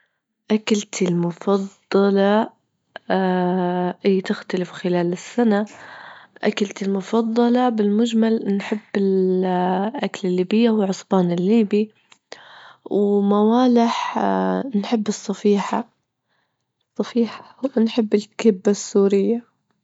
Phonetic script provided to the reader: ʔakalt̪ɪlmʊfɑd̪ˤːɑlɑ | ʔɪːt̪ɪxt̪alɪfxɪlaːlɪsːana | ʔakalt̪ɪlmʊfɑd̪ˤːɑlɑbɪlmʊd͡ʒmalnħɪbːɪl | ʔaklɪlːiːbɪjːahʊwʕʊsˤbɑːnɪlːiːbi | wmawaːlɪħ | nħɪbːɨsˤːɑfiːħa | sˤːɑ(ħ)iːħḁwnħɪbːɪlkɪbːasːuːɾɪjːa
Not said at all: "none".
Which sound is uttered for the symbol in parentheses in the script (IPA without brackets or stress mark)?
f